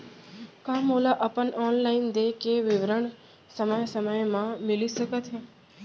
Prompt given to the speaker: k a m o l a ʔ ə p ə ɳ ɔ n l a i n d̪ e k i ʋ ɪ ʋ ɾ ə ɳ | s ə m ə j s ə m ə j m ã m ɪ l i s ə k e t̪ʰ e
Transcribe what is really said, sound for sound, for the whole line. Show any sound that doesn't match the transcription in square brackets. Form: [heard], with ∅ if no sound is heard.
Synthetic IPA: k a m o l a ʔ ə p ə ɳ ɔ n l a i n d̪ e k [e] ʋ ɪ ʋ ɾ ə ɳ | s ə m ə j s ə m ə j m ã m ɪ l i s ə k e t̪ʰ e